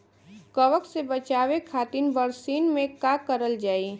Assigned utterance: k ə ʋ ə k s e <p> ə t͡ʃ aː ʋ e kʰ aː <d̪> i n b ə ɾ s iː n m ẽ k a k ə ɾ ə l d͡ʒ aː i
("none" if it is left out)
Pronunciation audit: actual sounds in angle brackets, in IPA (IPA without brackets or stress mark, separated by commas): b, t̪